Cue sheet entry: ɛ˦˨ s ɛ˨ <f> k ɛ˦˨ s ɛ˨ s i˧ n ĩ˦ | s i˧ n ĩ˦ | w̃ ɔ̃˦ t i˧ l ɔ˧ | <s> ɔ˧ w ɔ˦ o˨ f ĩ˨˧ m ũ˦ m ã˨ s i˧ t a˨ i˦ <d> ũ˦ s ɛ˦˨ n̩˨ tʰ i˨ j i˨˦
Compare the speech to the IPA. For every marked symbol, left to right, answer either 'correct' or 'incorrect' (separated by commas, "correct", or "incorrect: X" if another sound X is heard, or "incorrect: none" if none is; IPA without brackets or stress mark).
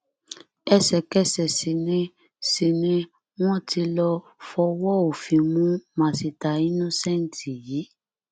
incorrect: none, incorrect: f, incorrect: n